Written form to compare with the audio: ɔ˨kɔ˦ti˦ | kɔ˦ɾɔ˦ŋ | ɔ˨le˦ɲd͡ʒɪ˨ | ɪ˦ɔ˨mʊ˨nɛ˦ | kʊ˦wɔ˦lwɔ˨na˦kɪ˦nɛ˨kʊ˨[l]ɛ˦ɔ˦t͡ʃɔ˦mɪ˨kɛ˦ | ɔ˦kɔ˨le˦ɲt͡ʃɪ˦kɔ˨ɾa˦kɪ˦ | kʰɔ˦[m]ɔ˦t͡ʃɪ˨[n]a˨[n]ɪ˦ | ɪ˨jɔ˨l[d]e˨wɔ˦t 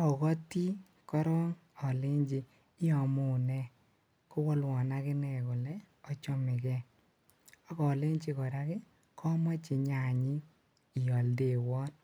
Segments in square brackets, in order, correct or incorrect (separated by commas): correct, correct, incorrect, incorrect, correct